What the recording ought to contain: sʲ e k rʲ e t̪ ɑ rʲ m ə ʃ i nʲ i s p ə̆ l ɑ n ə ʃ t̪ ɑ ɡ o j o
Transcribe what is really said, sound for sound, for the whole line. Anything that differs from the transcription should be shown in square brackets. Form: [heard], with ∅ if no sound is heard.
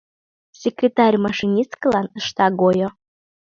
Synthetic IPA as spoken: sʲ e k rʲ e t̪ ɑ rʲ m [ɑ] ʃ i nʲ i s [k] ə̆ l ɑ n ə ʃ t̪ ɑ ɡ o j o